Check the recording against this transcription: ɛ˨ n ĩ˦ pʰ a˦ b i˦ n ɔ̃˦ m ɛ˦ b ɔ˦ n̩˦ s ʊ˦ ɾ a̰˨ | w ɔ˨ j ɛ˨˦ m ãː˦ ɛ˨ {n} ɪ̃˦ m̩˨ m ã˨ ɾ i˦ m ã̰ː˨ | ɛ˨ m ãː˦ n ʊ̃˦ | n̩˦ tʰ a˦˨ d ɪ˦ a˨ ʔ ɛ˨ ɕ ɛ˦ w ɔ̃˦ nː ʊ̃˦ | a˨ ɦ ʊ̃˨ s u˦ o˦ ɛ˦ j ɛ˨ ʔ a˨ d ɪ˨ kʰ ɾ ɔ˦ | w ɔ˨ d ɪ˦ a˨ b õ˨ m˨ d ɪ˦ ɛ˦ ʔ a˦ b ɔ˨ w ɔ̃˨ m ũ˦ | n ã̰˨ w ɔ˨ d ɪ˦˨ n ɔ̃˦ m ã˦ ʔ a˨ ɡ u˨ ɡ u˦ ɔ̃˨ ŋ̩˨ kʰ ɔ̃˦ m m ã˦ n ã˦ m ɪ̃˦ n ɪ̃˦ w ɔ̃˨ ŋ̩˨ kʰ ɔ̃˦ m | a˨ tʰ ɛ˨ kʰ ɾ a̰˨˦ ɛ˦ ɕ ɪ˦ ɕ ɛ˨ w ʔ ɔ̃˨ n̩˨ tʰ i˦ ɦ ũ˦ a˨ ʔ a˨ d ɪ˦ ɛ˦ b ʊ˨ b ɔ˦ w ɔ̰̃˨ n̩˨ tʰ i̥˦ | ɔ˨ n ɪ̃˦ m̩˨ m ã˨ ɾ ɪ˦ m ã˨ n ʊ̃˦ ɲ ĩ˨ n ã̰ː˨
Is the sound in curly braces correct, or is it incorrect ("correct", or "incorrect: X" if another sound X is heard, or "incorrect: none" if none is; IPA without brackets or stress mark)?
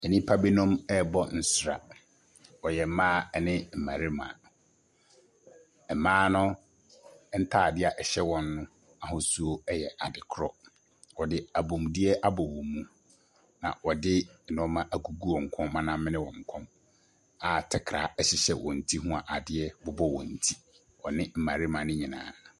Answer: correct